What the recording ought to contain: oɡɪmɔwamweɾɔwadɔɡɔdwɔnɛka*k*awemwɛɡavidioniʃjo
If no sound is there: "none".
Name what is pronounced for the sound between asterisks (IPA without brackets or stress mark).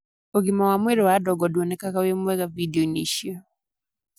k